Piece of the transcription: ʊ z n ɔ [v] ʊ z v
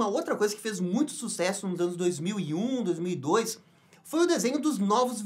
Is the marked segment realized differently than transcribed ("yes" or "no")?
no